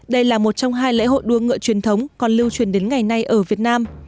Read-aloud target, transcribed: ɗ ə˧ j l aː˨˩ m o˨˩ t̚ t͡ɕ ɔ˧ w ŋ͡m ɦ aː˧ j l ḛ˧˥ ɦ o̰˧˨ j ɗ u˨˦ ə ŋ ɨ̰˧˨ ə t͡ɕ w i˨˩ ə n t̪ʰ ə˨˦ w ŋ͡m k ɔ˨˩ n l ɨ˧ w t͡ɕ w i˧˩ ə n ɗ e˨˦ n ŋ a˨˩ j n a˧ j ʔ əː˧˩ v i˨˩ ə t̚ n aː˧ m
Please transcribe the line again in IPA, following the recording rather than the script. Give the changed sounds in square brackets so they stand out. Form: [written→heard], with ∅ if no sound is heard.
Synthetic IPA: ɗ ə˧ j l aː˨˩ m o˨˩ t̚ t͡ɕ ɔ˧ w ŋ͡m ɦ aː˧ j l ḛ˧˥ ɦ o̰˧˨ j ɗ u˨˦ ə ŋ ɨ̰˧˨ ə t͡ɕ w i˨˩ ə n t̪ʰ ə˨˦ w ŋ͡m k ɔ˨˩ n l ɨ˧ w t͡ɕ w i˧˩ ə n ɗ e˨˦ n ŋ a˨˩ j n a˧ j ʔ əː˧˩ v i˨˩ ə t̚ n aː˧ m

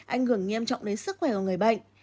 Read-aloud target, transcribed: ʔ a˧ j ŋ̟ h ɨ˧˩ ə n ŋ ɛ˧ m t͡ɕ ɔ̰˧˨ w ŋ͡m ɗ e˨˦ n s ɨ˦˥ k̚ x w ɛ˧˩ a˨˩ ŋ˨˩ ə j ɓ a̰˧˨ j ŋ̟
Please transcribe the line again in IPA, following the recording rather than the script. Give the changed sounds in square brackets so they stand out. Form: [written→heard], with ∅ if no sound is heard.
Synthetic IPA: ʔ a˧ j ŋ̟ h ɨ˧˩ ə [n→ŋ] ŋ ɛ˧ m t͡ɕ ɔ̰˧˨ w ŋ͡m ɗ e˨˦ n s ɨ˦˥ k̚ x w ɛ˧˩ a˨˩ ŋ˨˩ ə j ɓ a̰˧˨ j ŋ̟

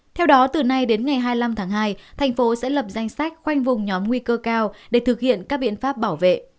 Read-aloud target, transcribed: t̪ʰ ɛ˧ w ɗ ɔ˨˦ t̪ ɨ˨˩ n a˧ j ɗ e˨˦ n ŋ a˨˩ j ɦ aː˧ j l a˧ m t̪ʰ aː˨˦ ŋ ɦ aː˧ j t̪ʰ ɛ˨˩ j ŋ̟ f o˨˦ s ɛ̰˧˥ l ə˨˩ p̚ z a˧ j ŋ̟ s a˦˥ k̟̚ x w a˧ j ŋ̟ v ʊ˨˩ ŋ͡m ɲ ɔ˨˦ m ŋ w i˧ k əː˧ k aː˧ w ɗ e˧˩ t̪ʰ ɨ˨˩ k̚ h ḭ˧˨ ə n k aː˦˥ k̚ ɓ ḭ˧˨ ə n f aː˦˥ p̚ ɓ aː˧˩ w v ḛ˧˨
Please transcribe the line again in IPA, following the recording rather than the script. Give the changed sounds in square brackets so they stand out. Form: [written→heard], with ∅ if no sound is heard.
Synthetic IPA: t̪ʰ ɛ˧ w ɗ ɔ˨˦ t̪ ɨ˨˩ n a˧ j ɗ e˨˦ n ŋ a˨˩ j ɦ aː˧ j l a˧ m t̪ʰ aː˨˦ ŋ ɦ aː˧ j t̪ʰ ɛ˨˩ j ŋ̟ f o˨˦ s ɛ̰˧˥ l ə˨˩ p̚ z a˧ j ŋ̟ s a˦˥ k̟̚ x w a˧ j ŋ̟ v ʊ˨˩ ŋ͡m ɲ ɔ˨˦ m ŋ w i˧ k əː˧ k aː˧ w ɗ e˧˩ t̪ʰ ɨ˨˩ k̚ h ḭ˧˨ ə n k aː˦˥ k̚ ɓ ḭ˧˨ ə n f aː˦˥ p̚ ɓ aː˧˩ w v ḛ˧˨

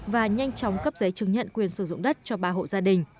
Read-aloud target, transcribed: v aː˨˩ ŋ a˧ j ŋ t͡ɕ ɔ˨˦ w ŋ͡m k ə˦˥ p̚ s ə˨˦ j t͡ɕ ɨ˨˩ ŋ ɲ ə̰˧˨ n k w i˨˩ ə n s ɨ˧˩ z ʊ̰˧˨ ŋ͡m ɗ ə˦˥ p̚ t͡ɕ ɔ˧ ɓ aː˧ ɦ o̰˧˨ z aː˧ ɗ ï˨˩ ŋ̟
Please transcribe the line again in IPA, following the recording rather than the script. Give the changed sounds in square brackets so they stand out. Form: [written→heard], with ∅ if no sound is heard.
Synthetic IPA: v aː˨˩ [ŋ→ɲ] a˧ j ŋ t͡ɕ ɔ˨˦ w ŋ͡m k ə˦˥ p̚ [s→z] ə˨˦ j t͡ɕ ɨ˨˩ ŋ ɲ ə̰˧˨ n k w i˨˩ ə n s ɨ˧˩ z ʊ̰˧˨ ŋ͡m ɗ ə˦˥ [p̚→t̚] t͡ɕ ɔ˧ ɓ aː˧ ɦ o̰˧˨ z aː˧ ɗ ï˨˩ ŋ̟

